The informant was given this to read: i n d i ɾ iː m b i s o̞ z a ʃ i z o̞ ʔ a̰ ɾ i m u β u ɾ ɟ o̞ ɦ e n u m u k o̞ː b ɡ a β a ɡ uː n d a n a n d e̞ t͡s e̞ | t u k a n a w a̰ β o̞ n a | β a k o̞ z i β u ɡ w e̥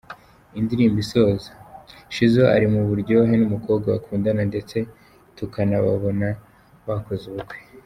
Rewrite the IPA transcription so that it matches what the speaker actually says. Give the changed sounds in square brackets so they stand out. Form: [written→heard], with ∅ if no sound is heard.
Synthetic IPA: i n d i ɾ iː m b i s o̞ z a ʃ i z o̞ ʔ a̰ ɾ i m u β u ɾ ɟ o̞ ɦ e n u m u k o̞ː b ɡ a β a [ɡ→k] uː n d a n a n d e̞ t͡s e̞ | t u k a n a [w→β] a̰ β o̞ n a | β a k o̞ z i β u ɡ w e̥